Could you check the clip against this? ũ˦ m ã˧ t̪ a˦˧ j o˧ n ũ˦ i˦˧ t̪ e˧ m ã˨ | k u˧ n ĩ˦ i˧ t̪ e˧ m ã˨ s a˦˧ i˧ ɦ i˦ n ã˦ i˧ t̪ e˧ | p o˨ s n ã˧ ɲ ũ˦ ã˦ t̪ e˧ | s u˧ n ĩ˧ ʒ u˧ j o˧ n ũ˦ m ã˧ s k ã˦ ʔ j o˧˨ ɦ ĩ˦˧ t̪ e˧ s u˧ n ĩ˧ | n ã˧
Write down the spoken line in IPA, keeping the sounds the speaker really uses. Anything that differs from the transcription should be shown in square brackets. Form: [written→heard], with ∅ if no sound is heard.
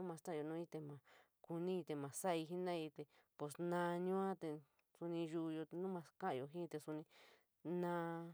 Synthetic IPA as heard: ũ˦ m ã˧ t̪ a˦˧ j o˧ n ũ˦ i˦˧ t̪ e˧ m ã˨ | k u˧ n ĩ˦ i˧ t̪ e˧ m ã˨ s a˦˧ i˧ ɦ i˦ n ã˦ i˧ t̪ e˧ | p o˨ s n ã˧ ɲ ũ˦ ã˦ t̪ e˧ | s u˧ n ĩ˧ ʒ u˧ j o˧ n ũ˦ m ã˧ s k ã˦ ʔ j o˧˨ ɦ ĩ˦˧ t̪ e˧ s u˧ n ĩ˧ | n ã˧